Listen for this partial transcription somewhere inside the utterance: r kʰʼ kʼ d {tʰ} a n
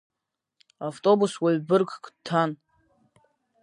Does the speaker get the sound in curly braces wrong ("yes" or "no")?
no